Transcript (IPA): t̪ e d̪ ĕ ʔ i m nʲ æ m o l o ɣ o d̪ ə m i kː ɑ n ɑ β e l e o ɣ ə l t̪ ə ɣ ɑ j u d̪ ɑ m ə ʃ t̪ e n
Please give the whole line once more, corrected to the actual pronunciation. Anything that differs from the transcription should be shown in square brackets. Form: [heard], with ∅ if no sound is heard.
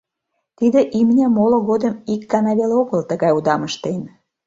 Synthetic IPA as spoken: t̪ [i] d̪ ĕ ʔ i m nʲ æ m o l o ɣ o d̪ ə m i kː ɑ n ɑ β e l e o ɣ ə l t̪ ə ɣ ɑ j u d̪ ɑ m ə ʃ t̪ e n